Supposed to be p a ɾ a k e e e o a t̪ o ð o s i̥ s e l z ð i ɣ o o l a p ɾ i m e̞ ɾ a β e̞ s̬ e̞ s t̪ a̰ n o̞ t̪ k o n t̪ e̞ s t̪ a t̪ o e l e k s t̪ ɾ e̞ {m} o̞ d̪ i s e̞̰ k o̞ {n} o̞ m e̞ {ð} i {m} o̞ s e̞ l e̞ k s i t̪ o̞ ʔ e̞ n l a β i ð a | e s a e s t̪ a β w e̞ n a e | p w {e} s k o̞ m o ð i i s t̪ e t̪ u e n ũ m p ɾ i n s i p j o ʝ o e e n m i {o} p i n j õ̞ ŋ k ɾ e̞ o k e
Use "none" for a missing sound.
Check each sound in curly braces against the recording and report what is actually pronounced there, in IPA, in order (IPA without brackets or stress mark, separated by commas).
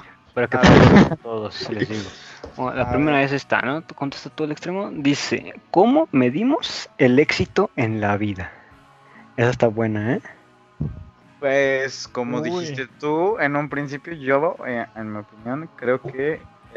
m, m, ð, m, e, o